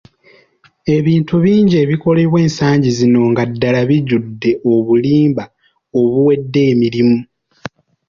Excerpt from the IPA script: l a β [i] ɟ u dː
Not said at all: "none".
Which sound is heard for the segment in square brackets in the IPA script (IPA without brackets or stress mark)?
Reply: i